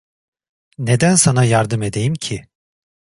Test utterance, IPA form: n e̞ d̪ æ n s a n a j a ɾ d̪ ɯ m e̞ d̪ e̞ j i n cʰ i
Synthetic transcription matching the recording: n e̞ d̪ æ n s a n a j a ɾ d̪ ɯ m e̞ d̪ e̞ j i m cʰ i